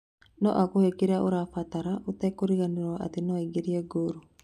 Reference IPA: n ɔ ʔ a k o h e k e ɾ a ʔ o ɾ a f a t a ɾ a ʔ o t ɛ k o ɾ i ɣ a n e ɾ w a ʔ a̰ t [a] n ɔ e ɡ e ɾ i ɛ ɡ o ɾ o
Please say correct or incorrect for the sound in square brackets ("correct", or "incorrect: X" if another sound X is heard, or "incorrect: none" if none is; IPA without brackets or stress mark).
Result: incorrect: e